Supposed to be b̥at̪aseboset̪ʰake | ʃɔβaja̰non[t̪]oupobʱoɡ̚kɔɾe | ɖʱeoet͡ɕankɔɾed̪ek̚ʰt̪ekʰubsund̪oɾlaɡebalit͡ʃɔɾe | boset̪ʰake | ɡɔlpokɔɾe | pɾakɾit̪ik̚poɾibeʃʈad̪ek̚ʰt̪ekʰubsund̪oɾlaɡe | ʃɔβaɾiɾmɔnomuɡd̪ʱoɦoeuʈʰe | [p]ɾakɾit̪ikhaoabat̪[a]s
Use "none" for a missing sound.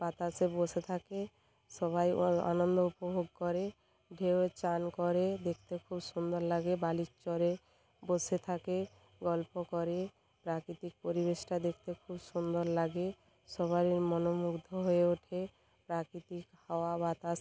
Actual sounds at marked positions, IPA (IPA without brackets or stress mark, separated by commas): d̪, p, a